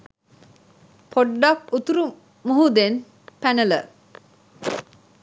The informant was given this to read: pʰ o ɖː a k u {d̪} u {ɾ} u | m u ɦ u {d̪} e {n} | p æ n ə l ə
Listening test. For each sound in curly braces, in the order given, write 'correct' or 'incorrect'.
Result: incorrect: t̪, correct, correct, correct

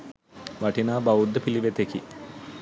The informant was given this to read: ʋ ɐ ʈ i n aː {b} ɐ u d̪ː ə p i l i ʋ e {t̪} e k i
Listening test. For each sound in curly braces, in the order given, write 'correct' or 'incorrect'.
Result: correct, correct

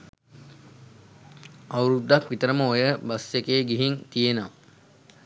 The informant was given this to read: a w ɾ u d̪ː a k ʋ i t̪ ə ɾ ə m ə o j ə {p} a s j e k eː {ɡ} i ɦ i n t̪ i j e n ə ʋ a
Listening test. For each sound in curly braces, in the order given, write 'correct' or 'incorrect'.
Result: incorrect: b, correct

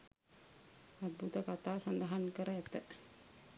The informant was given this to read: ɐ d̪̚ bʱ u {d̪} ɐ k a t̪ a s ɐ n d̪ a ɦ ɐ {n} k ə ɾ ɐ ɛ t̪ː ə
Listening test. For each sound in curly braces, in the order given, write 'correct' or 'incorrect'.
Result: incorrect: t̪, correct

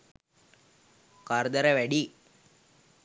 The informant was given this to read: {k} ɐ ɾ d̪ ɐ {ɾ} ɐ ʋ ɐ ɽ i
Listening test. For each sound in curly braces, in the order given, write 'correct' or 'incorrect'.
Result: correct, correct

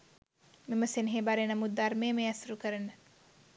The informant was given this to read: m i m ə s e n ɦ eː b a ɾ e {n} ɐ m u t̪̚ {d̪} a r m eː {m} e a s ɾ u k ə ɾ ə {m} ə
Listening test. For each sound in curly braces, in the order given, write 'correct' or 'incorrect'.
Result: correct, correct, correct, incorrect: n

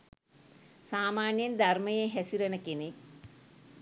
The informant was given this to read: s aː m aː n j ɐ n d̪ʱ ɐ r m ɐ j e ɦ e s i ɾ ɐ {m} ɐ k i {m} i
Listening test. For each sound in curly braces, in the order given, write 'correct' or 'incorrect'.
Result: incorrect: n, incorrect: n

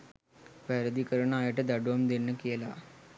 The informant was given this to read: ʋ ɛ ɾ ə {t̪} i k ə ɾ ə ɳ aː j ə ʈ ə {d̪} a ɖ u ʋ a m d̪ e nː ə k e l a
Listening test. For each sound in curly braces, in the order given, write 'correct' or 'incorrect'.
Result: incorrect: d̪, correct

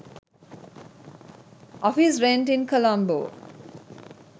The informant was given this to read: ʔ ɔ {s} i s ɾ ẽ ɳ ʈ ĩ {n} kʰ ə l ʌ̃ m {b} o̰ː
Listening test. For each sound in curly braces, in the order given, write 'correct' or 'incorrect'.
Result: incorrect: f, correct, correct

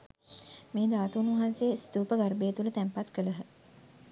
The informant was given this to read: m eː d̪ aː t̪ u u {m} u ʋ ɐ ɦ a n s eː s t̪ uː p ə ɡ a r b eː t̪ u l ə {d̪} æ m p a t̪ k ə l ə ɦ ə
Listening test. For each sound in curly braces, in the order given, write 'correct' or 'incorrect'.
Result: incorrect: n, incorrect: t̪

